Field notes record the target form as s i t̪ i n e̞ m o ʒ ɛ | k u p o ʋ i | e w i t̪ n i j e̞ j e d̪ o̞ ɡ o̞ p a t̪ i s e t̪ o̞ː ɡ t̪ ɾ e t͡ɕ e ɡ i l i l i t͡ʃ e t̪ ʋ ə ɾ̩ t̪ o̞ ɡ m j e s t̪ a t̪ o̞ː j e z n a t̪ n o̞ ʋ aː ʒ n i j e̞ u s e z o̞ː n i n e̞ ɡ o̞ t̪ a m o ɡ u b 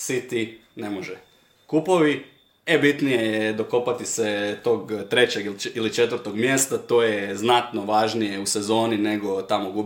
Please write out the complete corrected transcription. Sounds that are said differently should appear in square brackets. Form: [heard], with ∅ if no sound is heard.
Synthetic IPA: s i t̪ i n e̞ m o ʒ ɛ | k u p o ʋ i | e [b] i t̪ n i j e̞ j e d̪ o̞ [k] o̞ p a t̪ i s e t̪ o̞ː ɡ t̪ ɾ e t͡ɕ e ɡ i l i l i t͡ʃ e t̪ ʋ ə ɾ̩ t̪ o̞ ɡ m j e s t̪ a t̪ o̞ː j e z n a t̪ n o̞ ʋ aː ʒ n i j e̞ u s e z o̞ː n i n e̞ ɡ o̞ t̪ a m o ɡ u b